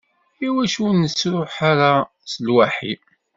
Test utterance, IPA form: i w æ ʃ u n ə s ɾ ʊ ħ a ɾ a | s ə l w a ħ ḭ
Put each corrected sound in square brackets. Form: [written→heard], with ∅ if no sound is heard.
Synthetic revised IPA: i w æ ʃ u n ə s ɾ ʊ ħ a ɾ a | s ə l w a ħ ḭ

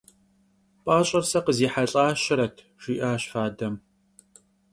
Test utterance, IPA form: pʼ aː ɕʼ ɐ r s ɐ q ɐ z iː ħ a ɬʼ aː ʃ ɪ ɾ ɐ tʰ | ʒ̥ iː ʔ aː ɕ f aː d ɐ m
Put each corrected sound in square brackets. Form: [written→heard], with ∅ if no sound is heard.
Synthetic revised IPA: pʼ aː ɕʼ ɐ r s ɐ q [ɐ→ə] z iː ħ a ɬʼ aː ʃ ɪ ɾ ɐ tʰ | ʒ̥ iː ʔ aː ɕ f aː d ɐ m

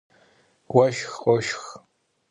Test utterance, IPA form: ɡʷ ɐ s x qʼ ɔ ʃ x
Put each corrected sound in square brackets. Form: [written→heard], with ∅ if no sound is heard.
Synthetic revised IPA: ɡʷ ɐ [s→ʃ] x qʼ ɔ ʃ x

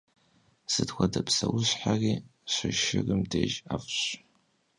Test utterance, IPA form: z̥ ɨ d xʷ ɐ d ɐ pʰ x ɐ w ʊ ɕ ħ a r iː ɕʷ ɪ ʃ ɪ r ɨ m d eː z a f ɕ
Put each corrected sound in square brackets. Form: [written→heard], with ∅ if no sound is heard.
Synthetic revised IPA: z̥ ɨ d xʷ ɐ d ɐ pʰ [x→s] ɐ w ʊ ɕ ħ a r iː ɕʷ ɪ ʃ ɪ r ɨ m d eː [z→ʒ] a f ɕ

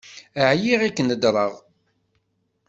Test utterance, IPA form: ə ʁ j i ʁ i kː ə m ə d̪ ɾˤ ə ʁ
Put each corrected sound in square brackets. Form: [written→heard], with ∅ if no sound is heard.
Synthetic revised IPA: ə [ʁ→ʕ] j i ʁ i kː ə [m→n] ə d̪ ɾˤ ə ʁ

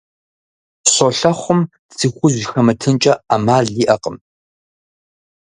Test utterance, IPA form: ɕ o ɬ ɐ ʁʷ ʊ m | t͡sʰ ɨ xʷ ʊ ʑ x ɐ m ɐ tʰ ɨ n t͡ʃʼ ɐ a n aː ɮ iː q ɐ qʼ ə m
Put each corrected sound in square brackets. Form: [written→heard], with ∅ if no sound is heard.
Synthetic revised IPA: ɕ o ɬ ɐ [ʁʷ→χʷ] ʊ m | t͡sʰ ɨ xʷ ʊ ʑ x ɐ m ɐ tʰ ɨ n t͡ʃʼ ɐ a [n→m] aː ɮ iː [q→ʔ] ɐ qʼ ə m

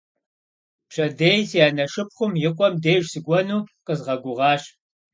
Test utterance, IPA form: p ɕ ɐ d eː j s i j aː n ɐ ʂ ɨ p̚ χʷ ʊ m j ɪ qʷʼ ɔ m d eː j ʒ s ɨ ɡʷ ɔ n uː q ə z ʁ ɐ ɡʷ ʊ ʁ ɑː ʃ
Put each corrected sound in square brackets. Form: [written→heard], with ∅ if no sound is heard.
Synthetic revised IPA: p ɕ ɐ d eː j s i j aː n ɐ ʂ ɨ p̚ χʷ ʊ m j ɪ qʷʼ ɔ m d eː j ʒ s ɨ ɡʷ ɔ n uː q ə z ʁ ɐ ɡʷ ʊ ʁ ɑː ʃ

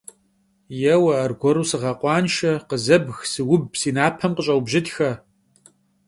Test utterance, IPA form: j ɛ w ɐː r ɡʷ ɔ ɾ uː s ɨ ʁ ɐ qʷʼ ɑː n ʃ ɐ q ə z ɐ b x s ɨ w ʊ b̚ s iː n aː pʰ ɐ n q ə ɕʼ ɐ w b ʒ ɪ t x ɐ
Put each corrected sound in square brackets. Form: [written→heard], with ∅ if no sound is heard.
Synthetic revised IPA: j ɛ w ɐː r ɡʷ ɔ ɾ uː s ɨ ʁ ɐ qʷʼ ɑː n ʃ ɐ q ə z ɐ b x s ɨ w ʊ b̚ s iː n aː pʰ ɐ [n→m] q ə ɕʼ ɐ w b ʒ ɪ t x ɐ

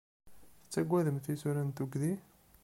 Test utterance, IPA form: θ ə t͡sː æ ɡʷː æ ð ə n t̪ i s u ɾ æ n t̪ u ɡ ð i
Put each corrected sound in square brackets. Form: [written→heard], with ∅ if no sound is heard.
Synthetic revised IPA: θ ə t͡sː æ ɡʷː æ ð ə [n→m] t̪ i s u ɾ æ n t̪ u ɡ ð i

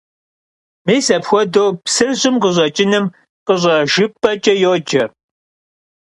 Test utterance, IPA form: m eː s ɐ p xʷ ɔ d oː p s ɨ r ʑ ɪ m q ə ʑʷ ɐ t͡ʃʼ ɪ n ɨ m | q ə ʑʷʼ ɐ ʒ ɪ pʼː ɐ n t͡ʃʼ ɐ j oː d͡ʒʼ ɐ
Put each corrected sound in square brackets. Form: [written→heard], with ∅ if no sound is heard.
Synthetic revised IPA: m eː s ɐ p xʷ ɔ d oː p s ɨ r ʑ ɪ m q ə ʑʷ ɐ t͡ʃʼ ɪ n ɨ m | q ə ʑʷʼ ɐ ʒ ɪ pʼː ɐ [n→∅] t͡ʃʼ ɐ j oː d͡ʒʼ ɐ

